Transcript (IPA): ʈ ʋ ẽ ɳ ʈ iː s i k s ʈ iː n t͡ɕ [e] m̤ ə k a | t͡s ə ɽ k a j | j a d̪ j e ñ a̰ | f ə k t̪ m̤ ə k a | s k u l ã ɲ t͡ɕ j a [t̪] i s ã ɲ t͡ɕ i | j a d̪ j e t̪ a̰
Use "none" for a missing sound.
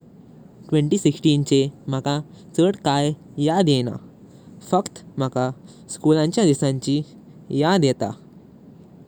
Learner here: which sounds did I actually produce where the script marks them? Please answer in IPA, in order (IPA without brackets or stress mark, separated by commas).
e, d̪